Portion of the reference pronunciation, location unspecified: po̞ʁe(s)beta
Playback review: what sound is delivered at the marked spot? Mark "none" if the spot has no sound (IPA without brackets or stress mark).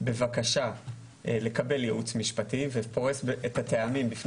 s